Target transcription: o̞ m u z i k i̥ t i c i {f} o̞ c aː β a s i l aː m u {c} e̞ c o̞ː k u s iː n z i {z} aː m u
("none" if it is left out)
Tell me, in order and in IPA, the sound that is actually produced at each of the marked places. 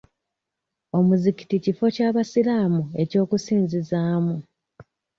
f, none, z

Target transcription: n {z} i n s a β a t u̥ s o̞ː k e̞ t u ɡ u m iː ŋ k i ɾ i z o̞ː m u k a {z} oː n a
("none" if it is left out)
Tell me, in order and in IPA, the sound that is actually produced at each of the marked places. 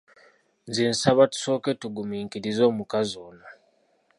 z, z

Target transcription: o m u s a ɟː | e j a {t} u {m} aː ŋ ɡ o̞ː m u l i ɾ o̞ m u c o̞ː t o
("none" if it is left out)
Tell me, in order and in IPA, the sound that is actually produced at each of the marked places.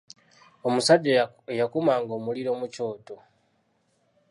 k, m

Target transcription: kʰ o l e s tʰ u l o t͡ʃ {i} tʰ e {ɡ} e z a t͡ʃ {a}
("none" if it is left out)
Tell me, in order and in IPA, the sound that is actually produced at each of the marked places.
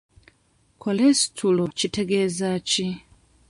i, ɡ, i

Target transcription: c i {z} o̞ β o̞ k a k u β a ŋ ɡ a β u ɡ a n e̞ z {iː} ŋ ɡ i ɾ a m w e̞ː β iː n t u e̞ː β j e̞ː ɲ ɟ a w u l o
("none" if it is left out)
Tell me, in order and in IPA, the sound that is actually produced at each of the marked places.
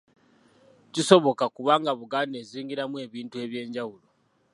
s, iː

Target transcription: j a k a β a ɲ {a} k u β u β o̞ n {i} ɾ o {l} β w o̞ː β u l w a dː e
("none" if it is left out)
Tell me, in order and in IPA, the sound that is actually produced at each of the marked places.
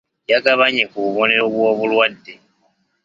e, e, none

